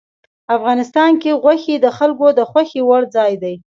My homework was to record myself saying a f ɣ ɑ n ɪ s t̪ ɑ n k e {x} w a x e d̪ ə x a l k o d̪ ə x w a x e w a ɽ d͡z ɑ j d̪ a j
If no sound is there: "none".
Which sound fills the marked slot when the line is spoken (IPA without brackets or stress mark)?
ɣ